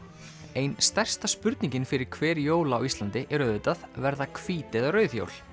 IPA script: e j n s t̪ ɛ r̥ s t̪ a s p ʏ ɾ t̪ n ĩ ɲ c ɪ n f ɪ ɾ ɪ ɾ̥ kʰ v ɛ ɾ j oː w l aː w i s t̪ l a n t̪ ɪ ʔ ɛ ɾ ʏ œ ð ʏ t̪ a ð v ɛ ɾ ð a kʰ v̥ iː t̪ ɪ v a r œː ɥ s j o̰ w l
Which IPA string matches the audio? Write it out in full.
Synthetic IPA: e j n s t̪ ɛ r̥ s t̪ a s p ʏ ɾ t̪ n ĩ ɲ c ɪ n f ɪ ɾ ɪ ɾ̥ kʰ v ɛː ɾ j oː w l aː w i s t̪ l a n t̪ ɪ ʔ ɛ ɾ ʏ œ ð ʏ t̪ a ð v ɛ ɾ ð a kʰ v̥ iː t̪ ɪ ð a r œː ɥ θ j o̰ w l